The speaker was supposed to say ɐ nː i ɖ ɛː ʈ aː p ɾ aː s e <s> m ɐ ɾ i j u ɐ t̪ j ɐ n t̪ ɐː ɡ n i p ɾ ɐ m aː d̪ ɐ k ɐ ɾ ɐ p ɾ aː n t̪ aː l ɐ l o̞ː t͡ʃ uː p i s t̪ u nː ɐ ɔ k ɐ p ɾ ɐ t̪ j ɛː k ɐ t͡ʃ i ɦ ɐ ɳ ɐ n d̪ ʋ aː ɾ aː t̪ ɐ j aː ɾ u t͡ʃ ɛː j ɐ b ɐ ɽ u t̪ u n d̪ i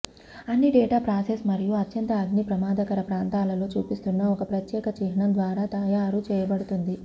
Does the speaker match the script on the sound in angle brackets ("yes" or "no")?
yes